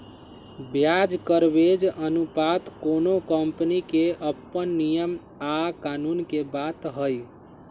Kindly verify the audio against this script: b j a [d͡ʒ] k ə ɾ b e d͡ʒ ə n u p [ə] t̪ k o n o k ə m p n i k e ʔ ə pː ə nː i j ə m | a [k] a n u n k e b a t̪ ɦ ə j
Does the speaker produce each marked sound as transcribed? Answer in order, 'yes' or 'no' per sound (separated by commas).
yes, no, yes